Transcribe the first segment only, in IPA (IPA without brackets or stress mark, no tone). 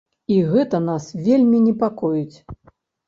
i